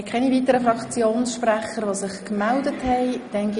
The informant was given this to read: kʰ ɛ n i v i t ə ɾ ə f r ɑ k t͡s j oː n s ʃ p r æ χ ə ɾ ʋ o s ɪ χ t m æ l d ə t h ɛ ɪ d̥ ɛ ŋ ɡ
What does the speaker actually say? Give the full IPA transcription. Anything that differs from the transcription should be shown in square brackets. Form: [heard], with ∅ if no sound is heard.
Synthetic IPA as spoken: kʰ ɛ n i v i t ə ɾ ə f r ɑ k t͡s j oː n s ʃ p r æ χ ə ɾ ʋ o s ɪ χ [k] m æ l d ə t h ɛ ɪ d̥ ɛ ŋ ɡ